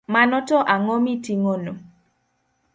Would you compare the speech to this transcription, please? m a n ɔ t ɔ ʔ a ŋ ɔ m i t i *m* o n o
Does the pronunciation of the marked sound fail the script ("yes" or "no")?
yes